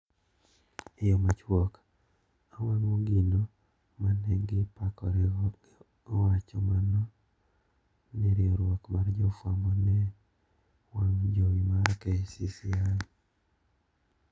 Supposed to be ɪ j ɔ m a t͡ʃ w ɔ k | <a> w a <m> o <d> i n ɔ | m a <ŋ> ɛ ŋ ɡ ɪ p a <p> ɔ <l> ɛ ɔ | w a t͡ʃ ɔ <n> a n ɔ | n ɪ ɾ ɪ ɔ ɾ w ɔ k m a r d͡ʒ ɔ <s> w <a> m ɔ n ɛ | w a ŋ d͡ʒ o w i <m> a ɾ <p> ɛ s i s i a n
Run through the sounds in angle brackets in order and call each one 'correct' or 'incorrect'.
correct, incorrect: ŋ, incorrect: ɡ, incorrect: n, incorrect: k, incorrect: ɾ, incorrect: m, incorrect: f, correct, correct, incorrect: k

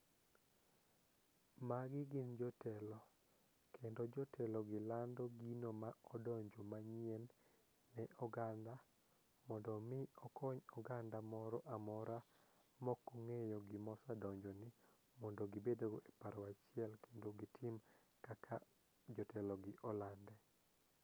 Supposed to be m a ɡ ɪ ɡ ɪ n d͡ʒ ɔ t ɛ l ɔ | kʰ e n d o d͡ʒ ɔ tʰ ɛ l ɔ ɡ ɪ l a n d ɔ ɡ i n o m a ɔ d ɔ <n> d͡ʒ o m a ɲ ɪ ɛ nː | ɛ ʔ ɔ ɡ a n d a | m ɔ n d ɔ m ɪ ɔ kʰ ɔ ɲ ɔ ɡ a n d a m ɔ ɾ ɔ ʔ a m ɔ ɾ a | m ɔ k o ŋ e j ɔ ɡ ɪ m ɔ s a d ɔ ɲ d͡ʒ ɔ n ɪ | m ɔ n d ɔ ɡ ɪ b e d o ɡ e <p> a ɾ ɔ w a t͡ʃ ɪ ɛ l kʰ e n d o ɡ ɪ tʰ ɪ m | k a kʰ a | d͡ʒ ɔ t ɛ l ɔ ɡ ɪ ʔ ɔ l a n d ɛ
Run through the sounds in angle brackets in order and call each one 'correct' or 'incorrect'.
incorrect: ɲ, correct

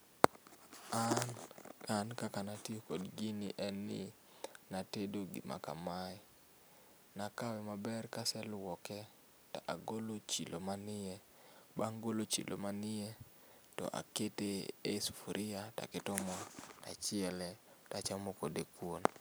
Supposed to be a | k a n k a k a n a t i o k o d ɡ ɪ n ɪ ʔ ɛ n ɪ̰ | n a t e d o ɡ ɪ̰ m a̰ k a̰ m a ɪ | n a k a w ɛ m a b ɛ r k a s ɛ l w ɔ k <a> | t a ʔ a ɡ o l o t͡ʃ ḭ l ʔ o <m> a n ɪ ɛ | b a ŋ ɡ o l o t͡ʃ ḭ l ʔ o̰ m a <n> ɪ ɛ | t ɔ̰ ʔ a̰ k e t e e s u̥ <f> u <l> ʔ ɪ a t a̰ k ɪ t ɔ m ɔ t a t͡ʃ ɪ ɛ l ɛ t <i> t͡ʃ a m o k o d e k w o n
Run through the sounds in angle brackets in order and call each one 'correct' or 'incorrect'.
incorrect: ɛ, correct, correct, correct, incorrect: ɾ, incorrect: a

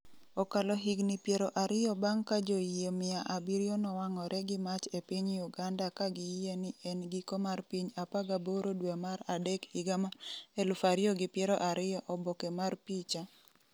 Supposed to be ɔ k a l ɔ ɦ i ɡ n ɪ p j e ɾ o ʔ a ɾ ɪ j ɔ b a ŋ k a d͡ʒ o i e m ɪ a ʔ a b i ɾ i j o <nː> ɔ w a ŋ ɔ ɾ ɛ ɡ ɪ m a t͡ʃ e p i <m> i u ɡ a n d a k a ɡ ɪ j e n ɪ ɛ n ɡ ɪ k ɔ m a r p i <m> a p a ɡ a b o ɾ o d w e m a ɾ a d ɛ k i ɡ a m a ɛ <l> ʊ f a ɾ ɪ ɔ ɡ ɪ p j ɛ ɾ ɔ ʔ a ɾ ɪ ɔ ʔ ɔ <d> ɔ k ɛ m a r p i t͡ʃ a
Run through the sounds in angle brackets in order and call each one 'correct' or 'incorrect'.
incorrect: n, incorrect: ɲ, incorrect: ɲ, correct, incorrect: b

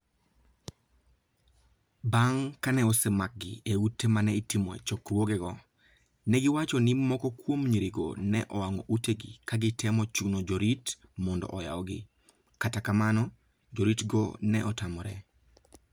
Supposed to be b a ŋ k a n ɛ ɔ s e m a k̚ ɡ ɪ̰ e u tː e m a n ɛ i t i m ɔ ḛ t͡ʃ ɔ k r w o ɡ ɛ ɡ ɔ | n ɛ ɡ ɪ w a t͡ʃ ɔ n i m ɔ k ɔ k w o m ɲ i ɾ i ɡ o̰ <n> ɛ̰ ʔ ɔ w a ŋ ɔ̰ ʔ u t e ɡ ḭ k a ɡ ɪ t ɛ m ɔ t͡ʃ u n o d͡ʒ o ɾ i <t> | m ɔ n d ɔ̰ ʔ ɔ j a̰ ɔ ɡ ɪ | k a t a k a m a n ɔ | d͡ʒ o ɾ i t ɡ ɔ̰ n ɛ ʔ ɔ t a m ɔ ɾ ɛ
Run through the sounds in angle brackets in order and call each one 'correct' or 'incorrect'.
correct, correct

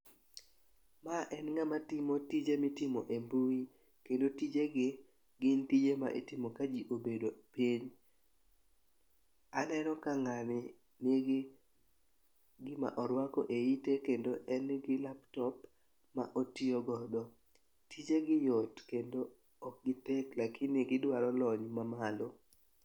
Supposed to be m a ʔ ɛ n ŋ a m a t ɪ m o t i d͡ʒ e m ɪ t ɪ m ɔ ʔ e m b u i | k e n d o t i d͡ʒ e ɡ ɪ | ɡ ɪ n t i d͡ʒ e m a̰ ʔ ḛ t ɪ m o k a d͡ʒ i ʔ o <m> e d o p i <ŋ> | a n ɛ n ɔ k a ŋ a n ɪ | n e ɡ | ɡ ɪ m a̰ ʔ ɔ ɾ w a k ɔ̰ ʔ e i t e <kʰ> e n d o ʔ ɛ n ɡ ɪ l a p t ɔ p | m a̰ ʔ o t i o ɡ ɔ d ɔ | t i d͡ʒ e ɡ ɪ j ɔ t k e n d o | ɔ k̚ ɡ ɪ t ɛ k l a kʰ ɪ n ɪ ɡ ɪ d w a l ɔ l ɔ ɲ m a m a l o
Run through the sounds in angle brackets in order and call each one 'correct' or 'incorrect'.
incorrect: b, incorrect: ɲ, incorrect: k

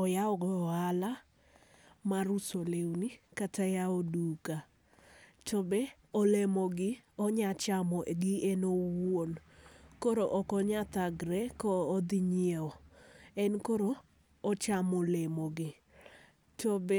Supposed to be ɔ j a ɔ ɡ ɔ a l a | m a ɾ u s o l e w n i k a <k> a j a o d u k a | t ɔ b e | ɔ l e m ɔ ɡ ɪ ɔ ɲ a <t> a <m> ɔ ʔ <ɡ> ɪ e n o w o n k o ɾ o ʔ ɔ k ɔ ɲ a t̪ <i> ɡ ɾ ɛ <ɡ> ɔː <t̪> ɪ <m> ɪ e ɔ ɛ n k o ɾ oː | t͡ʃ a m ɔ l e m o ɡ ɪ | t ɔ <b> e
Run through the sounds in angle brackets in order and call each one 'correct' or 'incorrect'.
incorrect: t, incorrect: t͡ʃ, correct, correct, incorrect: a, incorrect: k, incorrect: d̪, incorrect: ɲ, correct

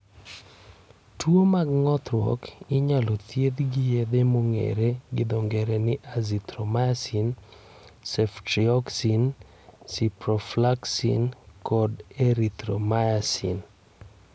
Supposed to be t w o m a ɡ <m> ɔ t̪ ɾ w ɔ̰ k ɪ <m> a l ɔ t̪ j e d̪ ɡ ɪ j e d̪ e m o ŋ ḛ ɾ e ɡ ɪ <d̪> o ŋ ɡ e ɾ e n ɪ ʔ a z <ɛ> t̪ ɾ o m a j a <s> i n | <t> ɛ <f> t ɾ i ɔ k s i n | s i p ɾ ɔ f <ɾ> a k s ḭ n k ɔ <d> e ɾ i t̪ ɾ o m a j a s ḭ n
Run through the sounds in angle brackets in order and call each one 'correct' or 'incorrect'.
incorrect: ŋ, incorrect: ɲ, correct, incorrect: i, correct, incorrect: s, correct, incorrect: l, correct

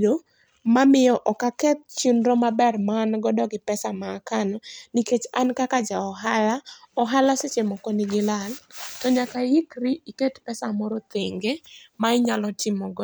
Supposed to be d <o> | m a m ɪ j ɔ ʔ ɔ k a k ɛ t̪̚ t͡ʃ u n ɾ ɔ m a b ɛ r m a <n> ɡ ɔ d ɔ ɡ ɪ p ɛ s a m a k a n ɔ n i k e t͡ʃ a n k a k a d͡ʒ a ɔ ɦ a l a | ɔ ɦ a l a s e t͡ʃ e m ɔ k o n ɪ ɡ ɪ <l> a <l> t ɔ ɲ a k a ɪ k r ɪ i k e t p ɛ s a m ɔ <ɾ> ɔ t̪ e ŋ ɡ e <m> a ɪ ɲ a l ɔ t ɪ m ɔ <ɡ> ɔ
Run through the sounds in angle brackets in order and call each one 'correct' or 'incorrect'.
correct, correct, correct, correct, correct, correct, correct

